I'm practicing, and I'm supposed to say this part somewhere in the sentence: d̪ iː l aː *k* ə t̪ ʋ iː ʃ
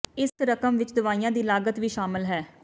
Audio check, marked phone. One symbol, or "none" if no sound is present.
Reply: ɡ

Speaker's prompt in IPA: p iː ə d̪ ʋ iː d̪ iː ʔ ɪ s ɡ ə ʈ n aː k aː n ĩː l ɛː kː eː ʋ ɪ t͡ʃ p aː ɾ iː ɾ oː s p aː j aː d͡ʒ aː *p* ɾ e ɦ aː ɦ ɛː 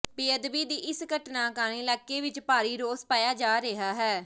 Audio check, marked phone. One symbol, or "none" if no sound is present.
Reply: none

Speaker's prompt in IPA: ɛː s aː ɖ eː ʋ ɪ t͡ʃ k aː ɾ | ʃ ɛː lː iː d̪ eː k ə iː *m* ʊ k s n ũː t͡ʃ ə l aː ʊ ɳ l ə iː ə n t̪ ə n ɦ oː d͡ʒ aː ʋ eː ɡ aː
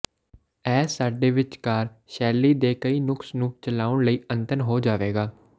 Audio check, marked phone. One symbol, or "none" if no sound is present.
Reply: n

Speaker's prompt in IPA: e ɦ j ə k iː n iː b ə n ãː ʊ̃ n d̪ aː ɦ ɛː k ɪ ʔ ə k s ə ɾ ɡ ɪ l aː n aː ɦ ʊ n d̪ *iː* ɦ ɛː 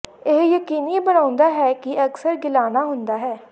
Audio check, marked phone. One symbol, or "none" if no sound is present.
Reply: aː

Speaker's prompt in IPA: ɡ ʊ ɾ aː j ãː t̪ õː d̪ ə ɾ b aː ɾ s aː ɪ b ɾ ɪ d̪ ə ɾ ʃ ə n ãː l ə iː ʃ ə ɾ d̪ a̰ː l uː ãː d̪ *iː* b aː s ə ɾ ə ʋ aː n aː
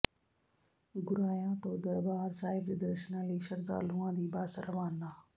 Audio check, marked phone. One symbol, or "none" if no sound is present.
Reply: iː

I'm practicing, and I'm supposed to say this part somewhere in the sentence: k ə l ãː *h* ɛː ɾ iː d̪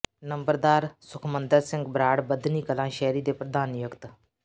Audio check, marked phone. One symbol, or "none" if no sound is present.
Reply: ʃ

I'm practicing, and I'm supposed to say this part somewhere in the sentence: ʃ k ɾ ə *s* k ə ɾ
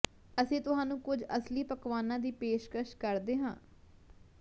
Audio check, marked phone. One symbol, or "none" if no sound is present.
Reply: ʃ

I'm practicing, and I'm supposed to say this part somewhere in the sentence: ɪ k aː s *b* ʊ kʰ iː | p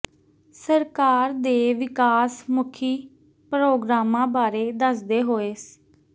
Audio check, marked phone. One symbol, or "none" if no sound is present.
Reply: m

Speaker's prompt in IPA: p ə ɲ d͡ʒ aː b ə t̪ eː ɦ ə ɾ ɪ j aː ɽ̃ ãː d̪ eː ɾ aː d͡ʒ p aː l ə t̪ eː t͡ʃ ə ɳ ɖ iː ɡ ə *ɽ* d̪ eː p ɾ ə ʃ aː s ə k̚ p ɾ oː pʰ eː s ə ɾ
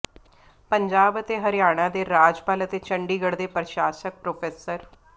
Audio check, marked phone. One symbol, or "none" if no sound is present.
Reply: ɽ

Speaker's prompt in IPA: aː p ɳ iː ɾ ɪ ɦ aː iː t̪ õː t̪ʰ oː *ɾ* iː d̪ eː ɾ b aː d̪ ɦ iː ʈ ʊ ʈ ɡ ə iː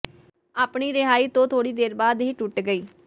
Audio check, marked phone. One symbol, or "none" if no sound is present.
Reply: ɽ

